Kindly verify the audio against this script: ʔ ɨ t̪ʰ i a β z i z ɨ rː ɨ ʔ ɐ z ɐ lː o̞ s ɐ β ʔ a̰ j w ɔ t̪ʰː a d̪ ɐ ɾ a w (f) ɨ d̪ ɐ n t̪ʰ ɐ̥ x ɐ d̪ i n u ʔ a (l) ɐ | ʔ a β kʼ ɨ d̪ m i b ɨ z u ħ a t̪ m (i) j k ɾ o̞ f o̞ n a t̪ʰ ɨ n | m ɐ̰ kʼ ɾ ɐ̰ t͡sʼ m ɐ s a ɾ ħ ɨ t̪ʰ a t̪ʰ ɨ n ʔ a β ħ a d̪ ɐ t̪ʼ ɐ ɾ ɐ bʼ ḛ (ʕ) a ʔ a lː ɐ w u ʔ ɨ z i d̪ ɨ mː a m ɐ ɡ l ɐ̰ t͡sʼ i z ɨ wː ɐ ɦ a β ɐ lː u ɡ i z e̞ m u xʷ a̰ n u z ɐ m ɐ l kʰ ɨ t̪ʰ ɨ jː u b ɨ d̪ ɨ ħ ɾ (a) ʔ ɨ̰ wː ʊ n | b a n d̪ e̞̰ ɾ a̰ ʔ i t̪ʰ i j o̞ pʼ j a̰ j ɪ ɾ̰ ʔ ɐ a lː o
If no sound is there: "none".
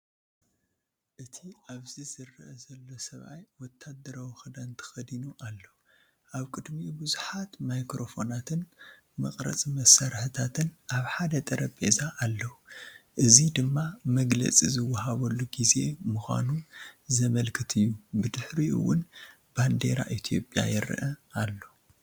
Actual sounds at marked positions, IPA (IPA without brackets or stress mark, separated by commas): x, lː, a, z, i